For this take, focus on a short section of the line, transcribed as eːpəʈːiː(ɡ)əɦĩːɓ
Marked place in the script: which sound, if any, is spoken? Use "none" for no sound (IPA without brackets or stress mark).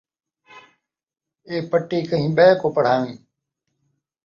k